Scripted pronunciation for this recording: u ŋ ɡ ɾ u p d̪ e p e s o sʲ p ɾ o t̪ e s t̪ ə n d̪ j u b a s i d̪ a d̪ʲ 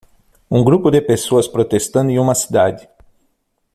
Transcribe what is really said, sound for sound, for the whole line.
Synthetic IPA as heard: u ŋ ɡ ɾ u p d̪ e p e s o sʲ p ɾ o t̪ e s t̪ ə n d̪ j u m a s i d̪ a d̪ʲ